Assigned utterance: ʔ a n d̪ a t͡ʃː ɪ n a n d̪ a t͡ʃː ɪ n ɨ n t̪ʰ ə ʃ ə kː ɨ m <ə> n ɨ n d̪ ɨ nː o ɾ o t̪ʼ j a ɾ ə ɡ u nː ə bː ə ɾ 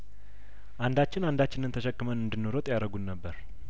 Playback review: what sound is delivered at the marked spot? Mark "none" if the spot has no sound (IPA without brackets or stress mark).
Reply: ə